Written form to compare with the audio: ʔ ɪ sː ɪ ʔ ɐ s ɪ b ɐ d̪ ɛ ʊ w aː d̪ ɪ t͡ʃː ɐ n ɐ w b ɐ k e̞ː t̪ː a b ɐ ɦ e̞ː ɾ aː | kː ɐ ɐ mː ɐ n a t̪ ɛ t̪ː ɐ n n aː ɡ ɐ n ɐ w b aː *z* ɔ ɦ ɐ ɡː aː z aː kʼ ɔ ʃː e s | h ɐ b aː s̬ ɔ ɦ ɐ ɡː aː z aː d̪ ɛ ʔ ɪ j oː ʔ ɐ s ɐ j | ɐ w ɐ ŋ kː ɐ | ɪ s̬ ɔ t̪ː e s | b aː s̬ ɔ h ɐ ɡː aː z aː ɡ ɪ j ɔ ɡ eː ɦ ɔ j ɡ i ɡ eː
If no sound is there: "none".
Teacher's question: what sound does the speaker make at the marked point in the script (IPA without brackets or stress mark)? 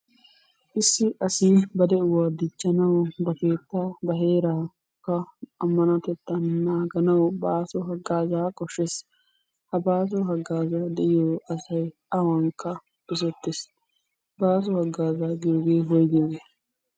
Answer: s